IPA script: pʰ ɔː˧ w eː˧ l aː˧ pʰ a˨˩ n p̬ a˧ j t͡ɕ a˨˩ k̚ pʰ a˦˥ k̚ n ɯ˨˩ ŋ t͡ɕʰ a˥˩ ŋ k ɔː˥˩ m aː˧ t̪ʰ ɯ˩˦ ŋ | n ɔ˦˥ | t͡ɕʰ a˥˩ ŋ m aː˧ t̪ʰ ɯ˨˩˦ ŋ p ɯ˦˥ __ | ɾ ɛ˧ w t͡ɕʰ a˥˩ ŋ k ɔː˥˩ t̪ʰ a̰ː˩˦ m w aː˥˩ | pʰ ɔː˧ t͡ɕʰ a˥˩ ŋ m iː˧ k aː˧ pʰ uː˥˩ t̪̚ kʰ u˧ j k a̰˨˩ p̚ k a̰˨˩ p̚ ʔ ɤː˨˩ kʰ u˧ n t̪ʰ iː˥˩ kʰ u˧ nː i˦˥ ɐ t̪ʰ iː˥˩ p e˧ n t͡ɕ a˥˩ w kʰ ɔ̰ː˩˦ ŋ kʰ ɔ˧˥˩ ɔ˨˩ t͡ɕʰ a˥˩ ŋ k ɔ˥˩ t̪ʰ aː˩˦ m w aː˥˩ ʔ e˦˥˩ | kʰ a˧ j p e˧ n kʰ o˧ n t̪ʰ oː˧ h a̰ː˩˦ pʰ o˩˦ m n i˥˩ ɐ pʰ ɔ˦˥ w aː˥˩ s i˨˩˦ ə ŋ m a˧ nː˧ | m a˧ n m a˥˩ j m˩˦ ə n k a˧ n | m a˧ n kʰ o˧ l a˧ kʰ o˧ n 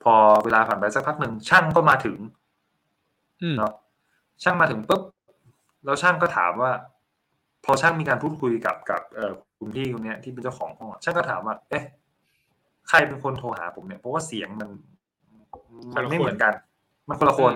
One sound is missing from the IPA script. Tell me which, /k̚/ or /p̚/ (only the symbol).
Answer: p̚